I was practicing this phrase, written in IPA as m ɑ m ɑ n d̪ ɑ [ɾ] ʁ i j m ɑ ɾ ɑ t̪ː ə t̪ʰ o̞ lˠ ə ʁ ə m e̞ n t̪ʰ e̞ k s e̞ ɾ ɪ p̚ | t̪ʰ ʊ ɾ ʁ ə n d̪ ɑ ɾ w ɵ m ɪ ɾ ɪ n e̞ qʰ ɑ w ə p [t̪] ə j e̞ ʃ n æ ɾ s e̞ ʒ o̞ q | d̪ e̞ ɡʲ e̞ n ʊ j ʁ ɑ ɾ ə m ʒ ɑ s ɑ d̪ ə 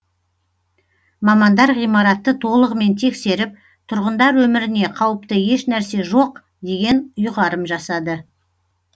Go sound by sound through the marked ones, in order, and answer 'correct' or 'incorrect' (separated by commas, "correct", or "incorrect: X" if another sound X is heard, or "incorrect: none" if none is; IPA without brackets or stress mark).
correct, correct